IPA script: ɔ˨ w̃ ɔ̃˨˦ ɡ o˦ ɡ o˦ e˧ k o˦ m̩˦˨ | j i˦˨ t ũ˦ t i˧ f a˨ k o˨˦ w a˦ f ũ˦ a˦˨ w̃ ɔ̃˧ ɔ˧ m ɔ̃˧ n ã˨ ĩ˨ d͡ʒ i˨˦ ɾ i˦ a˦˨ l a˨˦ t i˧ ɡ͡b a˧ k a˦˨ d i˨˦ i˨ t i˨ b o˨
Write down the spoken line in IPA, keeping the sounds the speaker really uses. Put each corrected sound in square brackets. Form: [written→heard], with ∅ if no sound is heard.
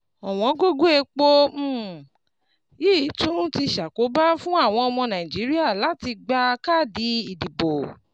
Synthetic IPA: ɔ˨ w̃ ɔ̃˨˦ ɡ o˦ ɡ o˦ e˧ [k→k͡p] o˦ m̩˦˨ | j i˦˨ t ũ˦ t i˧ [f→ʃ] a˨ k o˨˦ [w→b] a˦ f ũ˦ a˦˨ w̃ ɔ̃˧ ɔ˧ m ɔ̃˧ n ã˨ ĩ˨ d͡ʒ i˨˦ ɾ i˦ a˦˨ l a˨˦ t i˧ ɡ͡b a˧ k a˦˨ d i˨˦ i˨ [t→d] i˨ b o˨